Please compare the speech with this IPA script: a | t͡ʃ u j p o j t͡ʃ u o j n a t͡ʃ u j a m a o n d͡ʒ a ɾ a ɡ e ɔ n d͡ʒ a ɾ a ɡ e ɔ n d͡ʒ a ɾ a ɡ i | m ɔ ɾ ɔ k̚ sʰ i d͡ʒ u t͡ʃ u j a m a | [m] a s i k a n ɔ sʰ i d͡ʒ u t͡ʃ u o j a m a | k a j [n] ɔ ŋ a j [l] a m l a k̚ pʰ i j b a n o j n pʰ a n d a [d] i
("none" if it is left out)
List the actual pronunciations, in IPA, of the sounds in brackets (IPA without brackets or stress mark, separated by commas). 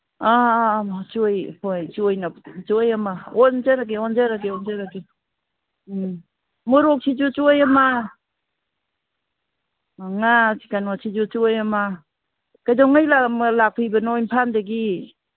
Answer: ŋ, d, l, ɡ